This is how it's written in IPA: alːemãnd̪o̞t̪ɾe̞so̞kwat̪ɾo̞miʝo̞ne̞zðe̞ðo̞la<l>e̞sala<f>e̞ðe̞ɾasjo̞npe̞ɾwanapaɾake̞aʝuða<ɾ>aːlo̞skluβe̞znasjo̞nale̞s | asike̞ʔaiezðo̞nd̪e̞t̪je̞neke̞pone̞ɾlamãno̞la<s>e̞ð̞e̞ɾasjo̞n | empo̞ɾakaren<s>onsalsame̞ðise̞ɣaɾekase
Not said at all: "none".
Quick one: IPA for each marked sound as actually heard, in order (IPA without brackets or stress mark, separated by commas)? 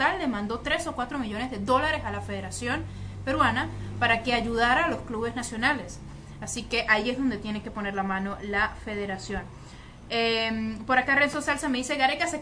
ɾ, f, ɾ, f, s